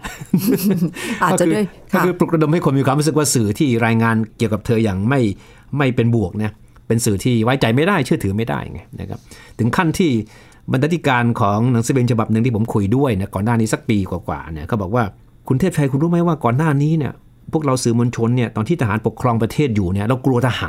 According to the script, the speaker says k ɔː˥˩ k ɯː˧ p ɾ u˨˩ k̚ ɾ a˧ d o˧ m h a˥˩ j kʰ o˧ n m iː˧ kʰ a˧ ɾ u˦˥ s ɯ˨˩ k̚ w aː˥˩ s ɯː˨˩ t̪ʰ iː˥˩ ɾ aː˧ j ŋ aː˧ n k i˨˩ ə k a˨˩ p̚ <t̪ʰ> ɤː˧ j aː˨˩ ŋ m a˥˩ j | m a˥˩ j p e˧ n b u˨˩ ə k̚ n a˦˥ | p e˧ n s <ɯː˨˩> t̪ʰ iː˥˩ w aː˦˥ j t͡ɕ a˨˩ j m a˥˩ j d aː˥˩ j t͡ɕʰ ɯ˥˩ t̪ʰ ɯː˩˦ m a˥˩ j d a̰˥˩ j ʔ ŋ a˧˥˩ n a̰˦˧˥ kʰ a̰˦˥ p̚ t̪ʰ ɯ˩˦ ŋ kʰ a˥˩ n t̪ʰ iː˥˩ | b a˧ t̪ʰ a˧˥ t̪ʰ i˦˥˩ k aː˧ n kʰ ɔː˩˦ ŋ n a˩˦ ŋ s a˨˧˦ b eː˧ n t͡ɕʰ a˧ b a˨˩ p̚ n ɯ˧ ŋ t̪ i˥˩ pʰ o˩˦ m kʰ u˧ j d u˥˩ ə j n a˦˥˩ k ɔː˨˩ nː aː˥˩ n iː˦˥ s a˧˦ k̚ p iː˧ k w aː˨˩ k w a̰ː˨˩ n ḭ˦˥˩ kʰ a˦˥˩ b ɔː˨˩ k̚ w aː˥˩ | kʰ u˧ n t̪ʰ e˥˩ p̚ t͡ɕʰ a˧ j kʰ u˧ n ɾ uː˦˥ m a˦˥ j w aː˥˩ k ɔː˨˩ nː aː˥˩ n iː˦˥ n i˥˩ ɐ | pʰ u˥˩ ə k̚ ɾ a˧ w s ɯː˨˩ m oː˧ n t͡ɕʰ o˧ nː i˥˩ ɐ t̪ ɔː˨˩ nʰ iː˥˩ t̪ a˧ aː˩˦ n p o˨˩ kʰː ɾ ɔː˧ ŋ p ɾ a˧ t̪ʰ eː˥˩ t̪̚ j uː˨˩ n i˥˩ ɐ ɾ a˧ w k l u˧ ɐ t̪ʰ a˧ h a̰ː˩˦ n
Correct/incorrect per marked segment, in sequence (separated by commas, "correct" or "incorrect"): correct, correct